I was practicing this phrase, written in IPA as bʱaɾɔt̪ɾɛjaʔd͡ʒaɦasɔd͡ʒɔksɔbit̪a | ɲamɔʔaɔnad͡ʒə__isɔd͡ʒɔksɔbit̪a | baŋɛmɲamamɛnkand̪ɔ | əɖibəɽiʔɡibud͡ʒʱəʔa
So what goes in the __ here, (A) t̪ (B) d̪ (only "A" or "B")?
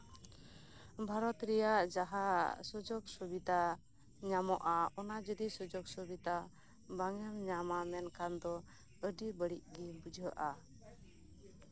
B